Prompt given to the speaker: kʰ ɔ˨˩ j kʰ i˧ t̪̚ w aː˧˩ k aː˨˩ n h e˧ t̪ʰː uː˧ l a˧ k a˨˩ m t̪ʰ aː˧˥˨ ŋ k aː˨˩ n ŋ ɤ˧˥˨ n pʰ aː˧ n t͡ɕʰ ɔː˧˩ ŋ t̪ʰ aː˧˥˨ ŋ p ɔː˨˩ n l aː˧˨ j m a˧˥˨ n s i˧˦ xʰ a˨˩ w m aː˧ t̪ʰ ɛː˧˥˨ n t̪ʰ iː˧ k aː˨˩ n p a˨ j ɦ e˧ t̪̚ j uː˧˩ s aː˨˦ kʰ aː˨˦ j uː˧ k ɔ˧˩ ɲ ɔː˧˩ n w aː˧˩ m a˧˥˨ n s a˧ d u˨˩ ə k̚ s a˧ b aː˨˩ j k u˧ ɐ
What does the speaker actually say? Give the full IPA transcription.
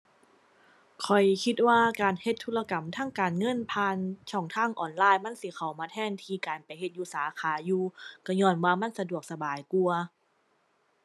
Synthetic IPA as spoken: kʰ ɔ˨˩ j kʰ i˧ t̪̚ w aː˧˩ k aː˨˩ n h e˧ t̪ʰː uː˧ l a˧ k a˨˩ m t̪ʰ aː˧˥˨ ŋ k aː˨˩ n ŋ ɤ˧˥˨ n pʰ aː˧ n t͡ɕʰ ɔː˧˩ ŋ t̪ʰ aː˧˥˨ ŋ ʔ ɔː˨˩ n l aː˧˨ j m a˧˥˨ n s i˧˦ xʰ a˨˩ w m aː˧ t̪ʰ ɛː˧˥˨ n t̪ʰ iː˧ k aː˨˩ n p a˨ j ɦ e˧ t̪̚ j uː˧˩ s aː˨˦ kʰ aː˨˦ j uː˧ k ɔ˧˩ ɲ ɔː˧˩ n w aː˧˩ m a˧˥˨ n s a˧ d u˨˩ ə k̚ s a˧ b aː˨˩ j k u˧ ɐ

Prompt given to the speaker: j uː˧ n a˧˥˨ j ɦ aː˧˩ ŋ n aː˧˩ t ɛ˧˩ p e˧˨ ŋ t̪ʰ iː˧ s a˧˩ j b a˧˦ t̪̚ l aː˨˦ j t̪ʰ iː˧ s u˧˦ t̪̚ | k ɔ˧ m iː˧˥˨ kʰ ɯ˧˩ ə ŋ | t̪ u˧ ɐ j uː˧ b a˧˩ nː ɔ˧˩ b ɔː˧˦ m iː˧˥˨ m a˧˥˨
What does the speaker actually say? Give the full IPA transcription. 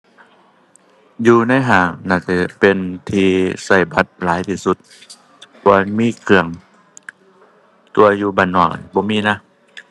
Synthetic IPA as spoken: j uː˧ n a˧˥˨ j ɦ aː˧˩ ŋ n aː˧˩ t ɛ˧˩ p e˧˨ n t̪ʰ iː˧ s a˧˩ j b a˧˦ t̪̚ l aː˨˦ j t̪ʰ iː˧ s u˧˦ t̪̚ | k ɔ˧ m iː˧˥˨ kʰ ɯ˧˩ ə ŋ | t̪ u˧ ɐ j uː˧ b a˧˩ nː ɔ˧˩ b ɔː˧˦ m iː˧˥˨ n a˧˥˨

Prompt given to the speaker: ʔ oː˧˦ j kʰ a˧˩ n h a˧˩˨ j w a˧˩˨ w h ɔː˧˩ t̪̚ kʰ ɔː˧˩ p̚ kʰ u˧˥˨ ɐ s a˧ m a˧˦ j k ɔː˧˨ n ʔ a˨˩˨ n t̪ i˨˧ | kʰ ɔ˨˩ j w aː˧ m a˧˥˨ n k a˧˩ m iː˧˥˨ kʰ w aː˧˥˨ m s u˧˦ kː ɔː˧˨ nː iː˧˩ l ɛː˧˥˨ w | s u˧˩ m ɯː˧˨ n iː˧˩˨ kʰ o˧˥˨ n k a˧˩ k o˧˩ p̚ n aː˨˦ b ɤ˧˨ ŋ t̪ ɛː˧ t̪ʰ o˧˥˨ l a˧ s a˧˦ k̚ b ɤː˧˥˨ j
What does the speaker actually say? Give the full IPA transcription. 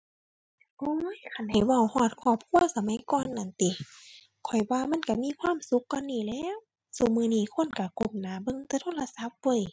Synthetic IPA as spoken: ʔ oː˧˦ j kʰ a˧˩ n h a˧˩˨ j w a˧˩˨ w h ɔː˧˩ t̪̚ kʰ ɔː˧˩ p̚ kʰ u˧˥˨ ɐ s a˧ m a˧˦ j k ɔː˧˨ n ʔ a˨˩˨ n t̪ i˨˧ | kʰ ɔ˨˩ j w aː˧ m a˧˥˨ n k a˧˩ m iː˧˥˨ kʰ w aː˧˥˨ m s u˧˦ kː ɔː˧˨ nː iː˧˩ l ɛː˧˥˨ w | s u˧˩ m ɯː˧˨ n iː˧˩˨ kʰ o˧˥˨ n k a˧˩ k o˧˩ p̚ n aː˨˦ b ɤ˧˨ ŋ t̪ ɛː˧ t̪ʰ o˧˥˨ l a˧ s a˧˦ p̚ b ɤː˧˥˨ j

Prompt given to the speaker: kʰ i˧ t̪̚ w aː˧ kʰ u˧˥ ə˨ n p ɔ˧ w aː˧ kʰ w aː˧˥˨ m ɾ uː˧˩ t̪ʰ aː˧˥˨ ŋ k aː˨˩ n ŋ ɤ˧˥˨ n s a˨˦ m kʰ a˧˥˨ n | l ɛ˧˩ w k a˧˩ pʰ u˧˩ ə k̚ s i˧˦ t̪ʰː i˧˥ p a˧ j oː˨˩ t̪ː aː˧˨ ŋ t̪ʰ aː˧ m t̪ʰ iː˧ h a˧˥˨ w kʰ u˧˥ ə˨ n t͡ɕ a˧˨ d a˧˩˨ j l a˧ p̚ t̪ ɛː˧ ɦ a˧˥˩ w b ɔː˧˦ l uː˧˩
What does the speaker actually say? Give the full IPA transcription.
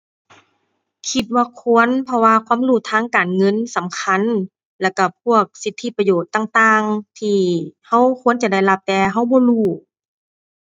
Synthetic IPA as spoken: kʰ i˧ t̪̚ w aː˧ kʰ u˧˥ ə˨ n pʰ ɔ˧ w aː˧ kʰ w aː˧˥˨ m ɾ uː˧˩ t̪ʰ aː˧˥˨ ŋ k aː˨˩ n ŋ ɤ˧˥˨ n s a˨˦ m kʰ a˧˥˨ n | l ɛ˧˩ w k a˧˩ pʰ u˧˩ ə k̚ s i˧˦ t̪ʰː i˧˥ p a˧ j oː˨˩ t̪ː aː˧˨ ŋ t̪ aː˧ ŋ t̪ʰ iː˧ h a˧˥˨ w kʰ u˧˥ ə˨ n t͡ɕ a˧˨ d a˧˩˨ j l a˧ p̚ t̪ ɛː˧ ɦ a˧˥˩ w b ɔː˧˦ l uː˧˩

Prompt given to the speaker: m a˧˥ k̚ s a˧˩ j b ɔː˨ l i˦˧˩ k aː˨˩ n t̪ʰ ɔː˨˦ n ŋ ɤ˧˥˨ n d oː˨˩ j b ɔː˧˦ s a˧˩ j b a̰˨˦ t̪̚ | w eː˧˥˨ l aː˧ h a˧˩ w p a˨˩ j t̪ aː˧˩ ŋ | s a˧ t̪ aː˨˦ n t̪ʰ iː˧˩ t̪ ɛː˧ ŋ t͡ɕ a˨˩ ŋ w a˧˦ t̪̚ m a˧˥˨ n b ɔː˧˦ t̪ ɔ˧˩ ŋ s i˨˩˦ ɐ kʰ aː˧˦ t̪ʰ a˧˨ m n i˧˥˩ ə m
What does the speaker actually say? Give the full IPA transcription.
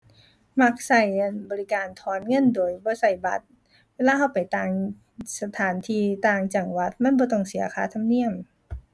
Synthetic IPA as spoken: m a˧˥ k̚ s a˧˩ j b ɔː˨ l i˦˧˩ k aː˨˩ n t̪ʰ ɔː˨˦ n ŋ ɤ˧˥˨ n d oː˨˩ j b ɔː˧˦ s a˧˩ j b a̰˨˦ t̪̚ | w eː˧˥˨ l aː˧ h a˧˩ w p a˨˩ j t̪ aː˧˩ ŋ | s a˧ t̪ʰ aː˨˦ n t̪ʰ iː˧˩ t̪ aː˧ ŋ t͡ɕ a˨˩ ŋ w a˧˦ t̪̚ m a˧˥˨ n b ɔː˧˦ t̪ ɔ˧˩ ŋ s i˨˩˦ ɐ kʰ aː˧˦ t̪ʰ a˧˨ m n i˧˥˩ ə m

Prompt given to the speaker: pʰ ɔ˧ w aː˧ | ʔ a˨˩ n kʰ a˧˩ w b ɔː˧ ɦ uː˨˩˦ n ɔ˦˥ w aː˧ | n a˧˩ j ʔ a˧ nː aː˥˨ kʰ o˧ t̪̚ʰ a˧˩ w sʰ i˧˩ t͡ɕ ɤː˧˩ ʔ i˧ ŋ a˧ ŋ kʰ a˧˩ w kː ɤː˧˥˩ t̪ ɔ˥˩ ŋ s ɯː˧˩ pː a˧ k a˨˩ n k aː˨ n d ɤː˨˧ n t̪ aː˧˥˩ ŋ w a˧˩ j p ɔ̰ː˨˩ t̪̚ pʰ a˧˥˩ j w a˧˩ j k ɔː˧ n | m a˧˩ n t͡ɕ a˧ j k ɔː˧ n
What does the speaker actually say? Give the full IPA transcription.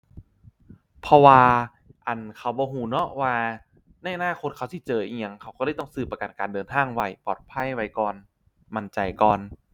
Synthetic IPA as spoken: pʰ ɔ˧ w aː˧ | ʔ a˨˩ n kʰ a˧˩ w b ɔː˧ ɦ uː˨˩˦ n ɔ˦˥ w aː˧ | n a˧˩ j ʔ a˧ n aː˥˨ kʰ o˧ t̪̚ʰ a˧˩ w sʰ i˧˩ t͡ɕ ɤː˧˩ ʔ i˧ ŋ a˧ ŋ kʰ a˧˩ w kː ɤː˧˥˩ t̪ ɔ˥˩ ŋ s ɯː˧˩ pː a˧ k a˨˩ n k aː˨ n d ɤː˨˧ n t̪ʰ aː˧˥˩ ŋ w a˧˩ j p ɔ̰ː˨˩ t̪̚ pʰ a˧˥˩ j w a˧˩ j k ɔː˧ n | m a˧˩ n t͡ɕ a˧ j k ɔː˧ n

